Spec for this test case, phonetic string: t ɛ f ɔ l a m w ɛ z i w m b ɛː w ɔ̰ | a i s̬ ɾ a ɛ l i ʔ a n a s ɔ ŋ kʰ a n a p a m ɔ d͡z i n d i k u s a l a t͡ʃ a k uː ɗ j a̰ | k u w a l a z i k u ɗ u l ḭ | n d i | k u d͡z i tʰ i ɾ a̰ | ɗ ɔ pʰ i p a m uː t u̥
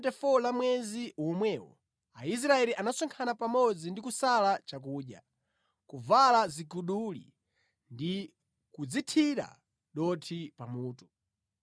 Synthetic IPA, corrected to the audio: t ɛ f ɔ l a m w ɛ z i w m w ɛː w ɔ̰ | a i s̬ ɾ a ɛ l i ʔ a n a s ɔ ŋ kʰ a n a p a m ɔ d͡z i n d i k u s a l a t͡ʃ a k uː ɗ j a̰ | k u v a l a z i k u ɗ u l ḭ | n d i | k u d͡z i tʰ i ɾ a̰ | ɗ ɔ tʰ i p a m uː t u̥